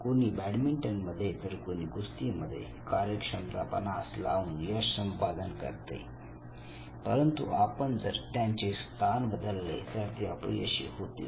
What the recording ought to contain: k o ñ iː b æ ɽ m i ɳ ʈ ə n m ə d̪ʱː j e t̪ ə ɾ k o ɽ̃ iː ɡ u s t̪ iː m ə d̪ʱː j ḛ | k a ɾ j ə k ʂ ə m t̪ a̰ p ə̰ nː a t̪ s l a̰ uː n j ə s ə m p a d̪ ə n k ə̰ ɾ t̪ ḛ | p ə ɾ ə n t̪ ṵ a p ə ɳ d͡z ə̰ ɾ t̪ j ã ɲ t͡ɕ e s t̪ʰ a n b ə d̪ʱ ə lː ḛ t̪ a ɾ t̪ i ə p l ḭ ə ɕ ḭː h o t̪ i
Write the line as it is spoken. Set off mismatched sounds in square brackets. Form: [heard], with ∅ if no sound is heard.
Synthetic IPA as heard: k o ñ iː b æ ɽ m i ɳ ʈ ə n m ə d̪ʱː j e t̪ ə ɾ k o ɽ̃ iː ɡ u s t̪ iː m ə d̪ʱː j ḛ | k a ɾ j ə k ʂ ə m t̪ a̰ p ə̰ [n] a [∅] s l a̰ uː n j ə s ə m p a d̪ ə n k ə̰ ɾ t̪ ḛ | p ə ɾ ə n t̪ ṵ a p ə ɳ d͡z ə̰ ɾ t̪ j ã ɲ t͡ɕ e s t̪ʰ a n b ə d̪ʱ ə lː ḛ t̪ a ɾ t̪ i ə p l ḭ ə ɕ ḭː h o t̪ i